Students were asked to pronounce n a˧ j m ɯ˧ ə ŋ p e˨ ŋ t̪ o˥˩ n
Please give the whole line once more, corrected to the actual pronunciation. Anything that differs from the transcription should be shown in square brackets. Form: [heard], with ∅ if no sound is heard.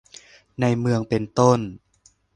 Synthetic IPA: n a˧ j m ɯ˧ ə ŋ p e˨ [n] t̪ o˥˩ n

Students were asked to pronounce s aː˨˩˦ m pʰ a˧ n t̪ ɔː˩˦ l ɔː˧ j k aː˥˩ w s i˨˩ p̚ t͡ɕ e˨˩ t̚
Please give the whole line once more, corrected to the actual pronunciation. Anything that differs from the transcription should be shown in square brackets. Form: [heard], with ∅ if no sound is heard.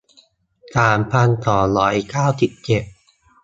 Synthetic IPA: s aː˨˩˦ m pʰ a˧ n t̪ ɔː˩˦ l [ɔː˩˦] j k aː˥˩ w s i˨˩ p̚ t͡ɕ e˨˩ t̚

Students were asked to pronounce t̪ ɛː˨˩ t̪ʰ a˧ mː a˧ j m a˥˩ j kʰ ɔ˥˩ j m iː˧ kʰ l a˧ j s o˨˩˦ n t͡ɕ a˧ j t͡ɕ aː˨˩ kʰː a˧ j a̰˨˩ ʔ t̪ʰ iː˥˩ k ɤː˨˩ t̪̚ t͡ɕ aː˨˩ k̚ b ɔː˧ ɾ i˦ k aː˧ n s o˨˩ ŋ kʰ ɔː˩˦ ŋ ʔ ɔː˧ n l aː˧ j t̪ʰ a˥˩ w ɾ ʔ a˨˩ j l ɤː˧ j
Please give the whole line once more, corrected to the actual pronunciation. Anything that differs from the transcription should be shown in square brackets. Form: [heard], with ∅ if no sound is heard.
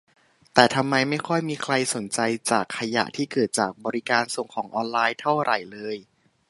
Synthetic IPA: t̪ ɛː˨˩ t̪ʰ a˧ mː a˧ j m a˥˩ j kʰ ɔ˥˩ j m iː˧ kʰ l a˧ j s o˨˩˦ n t͡ɕ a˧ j t͡ɕ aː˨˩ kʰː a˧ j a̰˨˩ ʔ t̪ʰ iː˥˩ k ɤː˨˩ t̪̚ t͡ɕ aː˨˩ k̚ b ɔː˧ ɾ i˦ k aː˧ n s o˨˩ ŋ kʰ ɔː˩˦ ŋ ʔ ɔː˧ n l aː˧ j t̪ʰ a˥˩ w ɾ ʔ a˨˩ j l ɤː˧ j

